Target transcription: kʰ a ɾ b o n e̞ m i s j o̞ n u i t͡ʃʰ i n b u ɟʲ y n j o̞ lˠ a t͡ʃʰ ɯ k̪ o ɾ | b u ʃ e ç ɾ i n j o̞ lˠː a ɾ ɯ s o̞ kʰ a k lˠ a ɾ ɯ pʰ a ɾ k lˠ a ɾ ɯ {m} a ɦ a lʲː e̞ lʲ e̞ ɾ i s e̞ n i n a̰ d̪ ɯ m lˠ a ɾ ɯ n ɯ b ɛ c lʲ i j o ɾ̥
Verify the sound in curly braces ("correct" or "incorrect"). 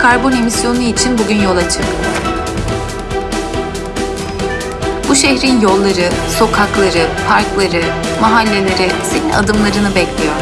correct